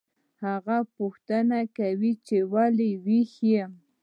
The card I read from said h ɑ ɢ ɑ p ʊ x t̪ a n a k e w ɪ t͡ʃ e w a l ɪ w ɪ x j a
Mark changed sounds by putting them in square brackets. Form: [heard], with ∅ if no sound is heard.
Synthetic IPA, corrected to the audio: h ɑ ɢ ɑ p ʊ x t̪ a n a k [a] w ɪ t͡ʃ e w a l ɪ w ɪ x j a